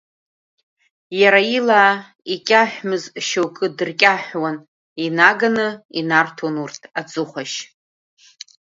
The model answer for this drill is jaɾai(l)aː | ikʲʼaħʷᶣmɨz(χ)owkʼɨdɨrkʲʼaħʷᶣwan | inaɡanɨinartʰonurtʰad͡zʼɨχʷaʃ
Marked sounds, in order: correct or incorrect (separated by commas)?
correct, incorrect